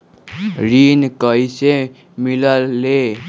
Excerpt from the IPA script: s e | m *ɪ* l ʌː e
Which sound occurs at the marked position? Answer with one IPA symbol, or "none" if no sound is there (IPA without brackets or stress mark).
i